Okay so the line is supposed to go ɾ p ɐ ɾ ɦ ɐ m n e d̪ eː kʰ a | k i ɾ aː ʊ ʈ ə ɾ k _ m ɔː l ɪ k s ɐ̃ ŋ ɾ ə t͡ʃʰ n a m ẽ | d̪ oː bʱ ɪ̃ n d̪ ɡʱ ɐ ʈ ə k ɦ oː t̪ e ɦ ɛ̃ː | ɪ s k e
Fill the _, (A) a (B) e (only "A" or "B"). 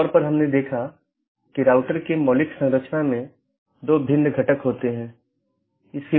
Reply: B